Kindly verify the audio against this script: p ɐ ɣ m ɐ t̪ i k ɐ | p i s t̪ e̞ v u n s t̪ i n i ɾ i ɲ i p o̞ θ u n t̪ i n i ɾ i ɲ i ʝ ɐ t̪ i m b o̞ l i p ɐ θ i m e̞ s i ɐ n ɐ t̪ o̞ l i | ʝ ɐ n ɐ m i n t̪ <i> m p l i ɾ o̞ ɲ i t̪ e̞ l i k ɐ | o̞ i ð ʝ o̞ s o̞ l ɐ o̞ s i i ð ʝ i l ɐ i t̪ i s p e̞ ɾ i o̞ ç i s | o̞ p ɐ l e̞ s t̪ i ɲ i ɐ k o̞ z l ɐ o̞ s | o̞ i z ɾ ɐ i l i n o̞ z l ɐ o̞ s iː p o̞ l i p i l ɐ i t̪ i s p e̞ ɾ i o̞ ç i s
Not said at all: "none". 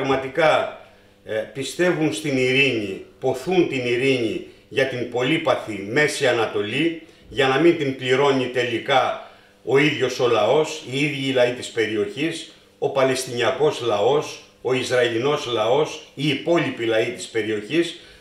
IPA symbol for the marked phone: i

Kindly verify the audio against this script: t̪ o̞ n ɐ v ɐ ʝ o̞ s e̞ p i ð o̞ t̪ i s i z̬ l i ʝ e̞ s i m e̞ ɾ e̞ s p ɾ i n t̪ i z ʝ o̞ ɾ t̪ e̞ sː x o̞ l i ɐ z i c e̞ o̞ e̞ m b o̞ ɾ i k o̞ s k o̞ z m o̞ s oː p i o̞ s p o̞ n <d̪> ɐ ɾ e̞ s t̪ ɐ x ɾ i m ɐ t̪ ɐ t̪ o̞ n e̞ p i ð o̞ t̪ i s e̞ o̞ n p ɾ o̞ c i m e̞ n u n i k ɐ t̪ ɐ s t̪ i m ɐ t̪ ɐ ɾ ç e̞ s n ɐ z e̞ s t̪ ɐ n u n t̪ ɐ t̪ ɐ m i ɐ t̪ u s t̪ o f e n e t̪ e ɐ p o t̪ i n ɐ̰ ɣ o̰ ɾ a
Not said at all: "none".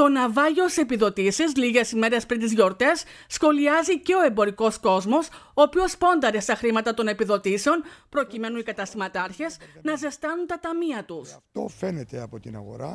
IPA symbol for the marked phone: d̪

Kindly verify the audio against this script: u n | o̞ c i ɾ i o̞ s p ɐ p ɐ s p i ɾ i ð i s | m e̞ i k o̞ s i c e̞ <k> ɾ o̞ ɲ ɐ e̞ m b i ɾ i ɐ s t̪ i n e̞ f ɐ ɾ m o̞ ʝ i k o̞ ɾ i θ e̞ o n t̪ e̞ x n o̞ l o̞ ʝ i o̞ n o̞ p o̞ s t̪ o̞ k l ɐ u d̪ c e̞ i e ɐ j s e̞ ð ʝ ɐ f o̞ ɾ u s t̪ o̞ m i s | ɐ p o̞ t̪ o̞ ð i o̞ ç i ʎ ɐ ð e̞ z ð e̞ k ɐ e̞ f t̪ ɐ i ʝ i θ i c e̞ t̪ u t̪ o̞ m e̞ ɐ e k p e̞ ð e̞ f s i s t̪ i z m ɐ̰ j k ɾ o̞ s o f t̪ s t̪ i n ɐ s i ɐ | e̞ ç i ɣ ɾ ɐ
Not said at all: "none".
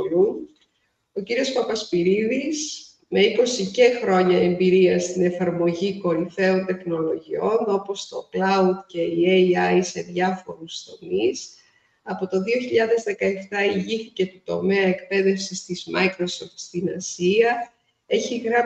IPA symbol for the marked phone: x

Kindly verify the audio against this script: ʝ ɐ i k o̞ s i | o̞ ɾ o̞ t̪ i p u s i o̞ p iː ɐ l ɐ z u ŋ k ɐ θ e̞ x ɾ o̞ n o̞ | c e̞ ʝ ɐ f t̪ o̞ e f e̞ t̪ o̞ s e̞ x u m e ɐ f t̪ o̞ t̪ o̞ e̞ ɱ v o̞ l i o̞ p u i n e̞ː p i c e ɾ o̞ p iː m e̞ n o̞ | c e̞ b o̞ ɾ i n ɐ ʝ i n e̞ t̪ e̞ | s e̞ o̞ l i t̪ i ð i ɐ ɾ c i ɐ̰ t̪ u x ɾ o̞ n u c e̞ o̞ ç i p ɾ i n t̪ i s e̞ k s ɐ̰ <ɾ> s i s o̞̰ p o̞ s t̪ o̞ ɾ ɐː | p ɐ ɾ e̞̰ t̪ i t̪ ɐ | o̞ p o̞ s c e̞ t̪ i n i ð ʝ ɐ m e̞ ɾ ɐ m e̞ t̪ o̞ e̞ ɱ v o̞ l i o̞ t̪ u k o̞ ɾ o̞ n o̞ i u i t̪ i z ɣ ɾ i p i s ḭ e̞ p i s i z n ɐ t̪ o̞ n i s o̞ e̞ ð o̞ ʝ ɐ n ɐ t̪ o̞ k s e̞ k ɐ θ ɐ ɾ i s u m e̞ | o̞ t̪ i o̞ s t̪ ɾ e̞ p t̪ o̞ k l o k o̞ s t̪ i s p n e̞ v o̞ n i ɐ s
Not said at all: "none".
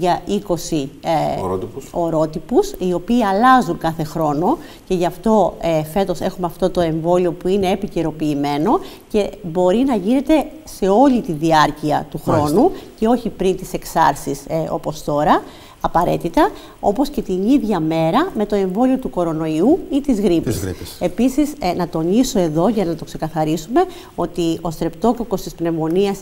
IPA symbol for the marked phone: ɾ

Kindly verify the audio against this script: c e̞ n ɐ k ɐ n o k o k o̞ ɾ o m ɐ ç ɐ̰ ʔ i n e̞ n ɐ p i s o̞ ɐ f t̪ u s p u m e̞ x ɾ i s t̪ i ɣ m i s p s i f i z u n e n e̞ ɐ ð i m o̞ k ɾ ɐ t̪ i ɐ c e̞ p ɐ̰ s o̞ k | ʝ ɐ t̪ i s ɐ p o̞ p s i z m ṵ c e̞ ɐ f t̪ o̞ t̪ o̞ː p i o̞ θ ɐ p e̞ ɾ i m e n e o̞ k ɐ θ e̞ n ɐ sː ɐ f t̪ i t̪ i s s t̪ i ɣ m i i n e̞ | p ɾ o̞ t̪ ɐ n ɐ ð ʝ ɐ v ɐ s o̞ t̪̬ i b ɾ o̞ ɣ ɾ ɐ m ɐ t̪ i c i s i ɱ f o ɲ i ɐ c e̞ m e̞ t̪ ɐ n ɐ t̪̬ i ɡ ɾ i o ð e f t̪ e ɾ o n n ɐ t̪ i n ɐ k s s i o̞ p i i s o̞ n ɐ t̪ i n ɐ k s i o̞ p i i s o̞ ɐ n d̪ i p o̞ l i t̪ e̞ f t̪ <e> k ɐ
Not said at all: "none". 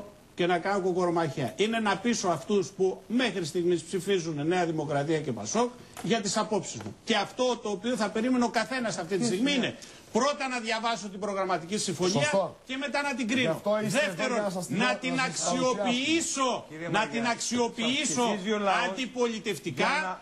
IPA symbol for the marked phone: i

